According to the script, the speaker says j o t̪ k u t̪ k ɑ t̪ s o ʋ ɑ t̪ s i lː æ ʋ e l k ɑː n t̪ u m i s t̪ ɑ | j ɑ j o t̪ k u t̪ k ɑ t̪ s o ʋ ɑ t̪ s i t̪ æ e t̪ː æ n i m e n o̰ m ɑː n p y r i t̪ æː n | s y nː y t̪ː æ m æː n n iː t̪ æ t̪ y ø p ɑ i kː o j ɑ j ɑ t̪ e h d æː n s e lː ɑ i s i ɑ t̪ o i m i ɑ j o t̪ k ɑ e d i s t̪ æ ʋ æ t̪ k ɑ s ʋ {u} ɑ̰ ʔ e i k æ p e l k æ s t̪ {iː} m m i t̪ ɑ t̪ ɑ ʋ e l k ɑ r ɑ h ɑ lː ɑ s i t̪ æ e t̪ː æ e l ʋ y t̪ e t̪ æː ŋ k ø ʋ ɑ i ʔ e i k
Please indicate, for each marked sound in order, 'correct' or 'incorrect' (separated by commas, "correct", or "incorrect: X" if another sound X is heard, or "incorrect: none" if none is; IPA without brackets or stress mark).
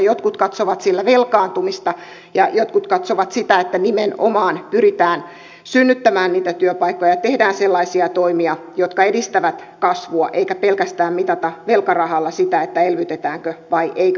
correct, incorrect: æː